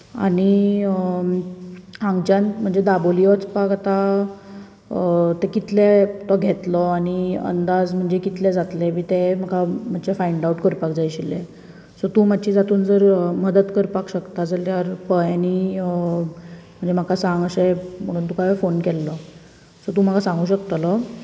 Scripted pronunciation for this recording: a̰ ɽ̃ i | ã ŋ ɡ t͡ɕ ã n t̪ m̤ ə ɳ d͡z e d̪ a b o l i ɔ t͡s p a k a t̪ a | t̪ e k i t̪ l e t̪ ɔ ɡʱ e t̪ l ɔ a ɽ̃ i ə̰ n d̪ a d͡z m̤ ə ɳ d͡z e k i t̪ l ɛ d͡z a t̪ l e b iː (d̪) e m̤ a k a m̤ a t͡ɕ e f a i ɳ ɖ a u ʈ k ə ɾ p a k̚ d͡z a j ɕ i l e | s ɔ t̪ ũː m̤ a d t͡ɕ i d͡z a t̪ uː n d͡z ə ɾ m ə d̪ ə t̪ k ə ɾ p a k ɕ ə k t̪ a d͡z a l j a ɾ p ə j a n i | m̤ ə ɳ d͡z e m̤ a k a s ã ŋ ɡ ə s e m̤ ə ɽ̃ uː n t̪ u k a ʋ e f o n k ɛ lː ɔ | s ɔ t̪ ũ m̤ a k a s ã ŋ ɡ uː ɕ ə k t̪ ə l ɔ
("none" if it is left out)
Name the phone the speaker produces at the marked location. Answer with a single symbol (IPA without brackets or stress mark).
t̪